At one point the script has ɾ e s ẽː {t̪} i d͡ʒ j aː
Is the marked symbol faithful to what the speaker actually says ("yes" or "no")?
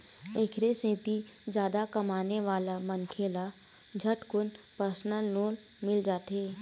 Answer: yes